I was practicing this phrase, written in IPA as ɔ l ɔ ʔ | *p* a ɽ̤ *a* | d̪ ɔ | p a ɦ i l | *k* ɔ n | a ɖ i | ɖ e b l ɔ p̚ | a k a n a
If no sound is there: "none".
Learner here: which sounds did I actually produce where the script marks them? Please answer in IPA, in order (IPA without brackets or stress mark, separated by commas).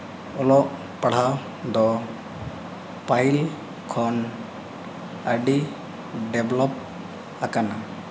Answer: p, a, kʰ